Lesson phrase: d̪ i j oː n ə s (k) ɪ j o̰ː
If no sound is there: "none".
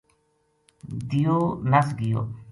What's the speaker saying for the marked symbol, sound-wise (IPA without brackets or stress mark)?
ɡ